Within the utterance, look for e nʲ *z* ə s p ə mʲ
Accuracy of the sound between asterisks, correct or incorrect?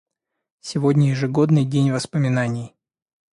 incorrect